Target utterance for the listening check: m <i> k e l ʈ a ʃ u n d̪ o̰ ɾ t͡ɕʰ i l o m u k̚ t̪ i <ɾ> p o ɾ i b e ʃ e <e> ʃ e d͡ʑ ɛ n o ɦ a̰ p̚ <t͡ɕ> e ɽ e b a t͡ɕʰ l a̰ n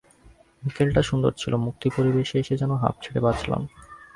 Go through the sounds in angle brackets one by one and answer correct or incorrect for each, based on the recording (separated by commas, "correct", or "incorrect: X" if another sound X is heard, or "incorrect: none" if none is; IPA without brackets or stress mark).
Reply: correct, incorrect: none, correct, incorrect: t͡ɕʰ